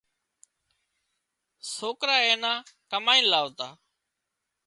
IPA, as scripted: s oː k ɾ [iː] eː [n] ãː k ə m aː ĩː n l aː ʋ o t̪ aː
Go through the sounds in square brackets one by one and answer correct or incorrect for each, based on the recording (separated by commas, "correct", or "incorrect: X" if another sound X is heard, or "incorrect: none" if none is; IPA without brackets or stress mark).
incorrect: aː, correct